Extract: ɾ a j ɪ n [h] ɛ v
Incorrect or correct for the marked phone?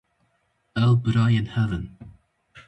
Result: correct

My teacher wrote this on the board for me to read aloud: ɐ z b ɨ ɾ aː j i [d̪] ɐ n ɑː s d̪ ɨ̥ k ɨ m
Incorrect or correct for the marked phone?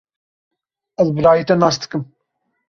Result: incorrect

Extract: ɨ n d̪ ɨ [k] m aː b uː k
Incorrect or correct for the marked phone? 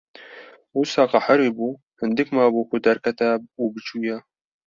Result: correct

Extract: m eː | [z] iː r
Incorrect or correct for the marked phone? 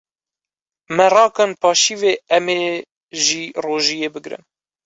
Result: incorrect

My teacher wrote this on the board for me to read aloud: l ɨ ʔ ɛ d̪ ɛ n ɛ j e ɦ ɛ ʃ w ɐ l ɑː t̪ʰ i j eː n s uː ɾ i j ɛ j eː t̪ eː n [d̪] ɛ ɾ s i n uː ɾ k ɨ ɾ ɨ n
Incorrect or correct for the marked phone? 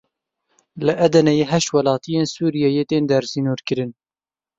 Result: correct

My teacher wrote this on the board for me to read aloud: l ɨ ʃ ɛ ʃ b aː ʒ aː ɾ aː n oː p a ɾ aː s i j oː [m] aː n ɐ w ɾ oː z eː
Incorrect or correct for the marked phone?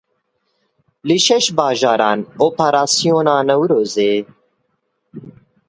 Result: incorrect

